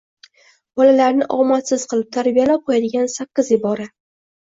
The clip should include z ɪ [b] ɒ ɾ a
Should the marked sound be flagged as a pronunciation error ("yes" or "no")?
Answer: no